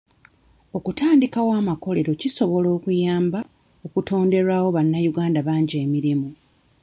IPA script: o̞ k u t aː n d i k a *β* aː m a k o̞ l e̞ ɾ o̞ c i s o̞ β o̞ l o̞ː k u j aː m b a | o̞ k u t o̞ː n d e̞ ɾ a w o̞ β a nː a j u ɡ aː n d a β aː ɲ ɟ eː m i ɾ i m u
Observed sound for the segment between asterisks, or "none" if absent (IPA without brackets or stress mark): w